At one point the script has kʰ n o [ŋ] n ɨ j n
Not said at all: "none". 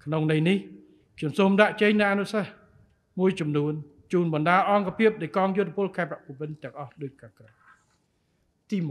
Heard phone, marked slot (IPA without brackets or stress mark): ŋ